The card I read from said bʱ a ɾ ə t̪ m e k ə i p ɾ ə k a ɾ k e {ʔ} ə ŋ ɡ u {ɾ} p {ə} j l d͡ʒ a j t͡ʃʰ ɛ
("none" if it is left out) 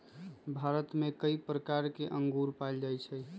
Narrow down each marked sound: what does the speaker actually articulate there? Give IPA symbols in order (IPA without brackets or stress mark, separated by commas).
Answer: ʔ, ɾ, a